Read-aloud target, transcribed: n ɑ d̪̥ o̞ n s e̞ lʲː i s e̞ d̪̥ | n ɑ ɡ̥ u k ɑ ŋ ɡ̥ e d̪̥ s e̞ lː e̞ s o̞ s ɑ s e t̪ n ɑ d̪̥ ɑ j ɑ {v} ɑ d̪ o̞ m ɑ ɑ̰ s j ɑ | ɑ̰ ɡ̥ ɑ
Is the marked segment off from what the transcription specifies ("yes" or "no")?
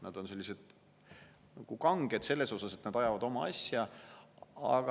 no